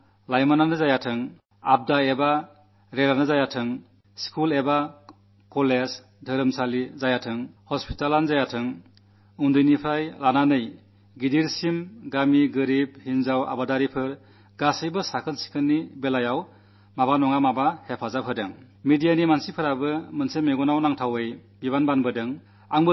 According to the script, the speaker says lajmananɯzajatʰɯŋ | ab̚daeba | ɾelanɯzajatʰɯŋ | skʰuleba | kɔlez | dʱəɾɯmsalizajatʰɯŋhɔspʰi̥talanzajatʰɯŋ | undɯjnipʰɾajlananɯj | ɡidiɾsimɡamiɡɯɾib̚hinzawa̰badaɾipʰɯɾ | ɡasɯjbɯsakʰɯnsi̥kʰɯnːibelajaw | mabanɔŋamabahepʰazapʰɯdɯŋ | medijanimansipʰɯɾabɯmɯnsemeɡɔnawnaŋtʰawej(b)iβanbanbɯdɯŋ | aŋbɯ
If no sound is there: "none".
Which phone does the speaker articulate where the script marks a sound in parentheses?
b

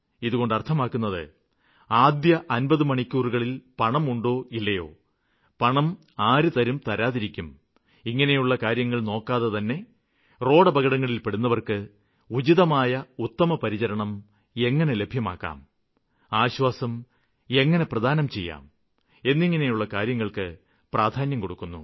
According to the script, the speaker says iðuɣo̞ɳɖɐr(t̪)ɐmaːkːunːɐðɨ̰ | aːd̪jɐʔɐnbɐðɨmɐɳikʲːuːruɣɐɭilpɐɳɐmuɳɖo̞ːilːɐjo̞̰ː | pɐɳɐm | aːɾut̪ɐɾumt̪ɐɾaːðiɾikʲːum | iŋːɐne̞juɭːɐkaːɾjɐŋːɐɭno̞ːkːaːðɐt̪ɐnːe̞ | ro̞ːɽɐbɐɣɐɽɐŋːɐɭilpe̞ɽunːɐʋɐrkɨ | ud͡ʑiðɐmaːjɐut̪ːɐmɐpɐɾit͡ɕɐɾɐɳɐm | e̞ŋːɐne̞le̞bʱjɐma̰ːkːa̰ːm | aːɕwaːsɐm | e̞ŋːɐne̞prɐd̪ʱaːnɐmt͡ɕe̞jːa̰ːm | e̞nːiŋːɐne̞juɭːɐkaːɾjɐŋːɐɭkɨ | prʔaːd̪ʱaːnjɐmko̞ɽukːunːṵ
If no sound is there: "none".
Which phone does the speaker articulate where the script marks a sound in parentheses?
t̪ʰ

